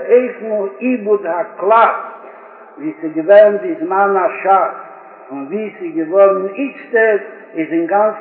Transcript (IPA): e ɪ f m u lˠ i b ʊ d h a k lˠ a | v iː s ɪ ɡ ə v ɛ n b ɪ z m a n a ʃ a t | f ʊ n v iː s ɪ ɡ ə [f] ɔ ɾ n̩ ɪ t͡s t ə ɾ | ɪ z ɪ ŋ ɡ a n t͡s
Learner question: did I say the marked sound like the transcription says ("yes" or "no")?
no